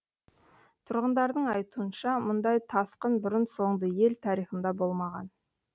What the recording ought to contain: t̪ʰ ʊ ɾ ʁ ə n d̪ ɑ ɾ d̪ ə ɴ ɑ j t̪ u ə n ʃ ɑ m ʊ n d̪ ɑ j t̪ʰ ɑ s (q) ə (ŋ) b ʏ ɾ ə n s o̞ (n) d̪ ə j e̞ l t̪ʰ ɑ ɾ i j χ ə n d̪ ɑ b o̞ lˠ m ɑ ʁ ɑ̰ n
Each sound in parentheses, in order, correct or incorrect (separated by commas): correct, incorrect, incorrect